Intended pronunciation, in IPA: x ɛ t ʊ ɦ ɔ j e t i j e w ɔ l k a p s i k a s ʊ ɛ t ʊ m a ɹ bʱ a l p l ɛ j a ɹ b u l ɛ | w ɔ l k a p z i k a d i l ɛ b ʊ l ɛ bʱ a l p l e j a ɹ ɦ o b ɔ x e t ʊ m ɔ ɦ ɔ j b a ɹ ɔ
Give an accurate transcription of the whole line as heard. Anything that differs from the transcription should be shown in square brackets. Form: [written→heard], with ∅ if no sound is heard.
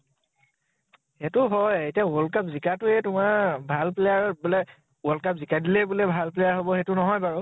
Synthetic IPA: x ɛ t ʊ ɦ ɔ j e t i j [e→a] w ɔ l k a p [s→z] i k a [s→t] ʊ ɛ t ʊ m a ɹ bʱ a l p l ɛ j a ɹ b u l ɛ | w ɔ l k a p z i k a d i l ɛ b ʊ l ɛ bʱ a l p l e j a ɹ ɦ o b ɔ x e t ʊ [m→n] ɔ ɦ ɔ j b a ɹ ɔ